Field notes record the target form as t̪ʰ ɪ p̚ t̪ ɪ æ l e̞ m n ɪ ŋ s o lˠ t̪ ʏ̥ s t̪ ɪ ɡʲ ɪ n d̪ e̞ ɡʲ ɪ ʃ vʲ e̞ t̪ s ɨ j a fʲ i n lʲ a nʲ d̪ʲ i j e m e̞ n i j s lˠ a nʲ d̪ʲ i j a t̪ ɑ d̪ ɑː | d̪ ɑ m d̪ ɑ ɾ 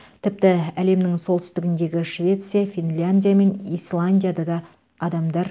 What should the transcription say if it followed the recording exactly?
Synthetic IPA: t̪ʰ ɪ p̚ t̪ ɪ æ l e̞ m n ɪ ŋ s o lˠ t̪ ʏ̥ s t̪ ɪ ɡʲ ɪ n d̪ e̞ ɡʲ ɪ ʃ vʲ e̞ t̪ s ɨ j a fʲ i n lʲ a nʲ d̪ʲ i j a m e̞ n i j s lˠ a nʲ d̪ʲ i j a d̪ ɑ d̪ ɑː | d̪ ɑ m d̪ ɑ ɾ